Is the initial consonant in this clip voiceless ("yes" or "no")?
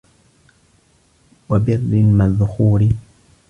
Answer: no